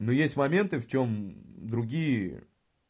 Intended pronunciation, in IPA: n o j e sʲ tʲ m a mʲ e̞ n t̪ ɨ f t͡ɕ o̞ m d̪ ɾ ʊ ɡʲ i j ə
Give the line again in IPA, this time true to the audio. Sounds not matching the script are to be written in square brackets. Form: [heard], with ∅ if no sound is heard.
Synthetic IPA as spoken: n o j e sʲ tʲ m [ɐ] mʲ e̞ n t̪ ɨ f t͡ɕ o̞ m d̪ ɾ ʊ ɡʲ i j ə